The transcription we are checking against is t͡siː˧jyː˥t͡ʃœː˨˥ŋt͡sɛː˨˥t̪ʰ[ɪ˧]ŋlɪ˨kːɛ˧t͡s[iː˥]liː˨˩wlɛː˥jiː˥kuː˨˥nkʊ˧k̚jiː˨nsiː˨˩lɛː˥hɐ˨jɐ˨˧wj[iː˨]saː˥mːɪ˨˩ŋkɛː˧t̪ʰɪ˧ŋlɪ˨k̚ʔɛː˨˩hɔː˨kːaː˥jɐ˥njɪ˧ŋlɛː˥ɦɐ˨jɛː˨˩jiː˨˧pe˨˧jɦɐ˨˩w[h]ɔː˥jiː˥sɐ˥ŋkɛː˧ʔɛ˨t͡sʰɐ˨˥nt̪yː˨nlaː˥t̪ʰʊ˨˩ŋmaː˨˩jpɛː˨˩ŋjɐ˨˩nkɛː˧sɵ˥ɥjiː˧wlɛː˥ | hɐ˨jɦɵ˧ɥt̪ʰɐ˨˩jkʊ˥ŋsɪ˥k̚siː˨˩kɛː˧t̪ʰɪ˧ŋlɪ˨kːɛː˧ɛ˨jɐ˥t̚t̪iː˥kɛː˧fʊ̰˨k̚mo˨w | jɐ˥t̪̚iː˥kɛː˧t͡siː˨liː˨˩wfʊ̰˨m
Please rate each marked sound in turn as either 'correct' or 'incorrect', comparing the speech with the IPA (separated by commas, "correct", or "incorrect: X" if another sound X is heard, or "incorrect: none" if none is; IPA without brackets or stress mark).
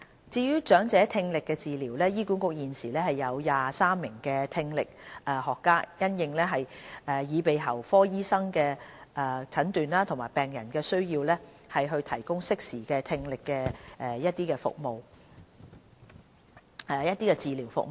correct, incorrect: iː˨, incorrect: aː˨, incorrect: f